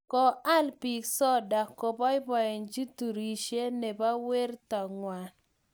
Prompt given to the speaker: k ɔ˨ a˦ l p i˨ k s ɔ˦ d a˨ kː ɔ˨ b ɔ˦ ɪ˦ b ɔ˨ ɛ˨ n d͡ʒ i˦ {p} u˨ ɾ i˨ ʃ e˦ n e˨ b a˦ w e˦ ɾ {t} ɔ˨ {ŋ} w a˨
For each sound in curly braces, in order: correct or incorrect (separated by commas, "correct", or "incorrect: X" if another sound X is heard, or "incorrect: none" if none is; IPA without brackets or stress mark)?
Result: incorrect: t, correct, correct